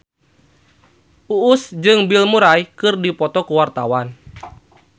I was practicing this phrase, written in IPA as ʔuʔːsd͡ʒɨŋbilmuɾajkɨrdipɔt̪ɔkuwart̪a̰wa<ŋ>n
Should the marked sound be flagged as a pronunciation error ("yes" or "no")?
yes